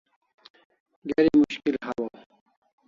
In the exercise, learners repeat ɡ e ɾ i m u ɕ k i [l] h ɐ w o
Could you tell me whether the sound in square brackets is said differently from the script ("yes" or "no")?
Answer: no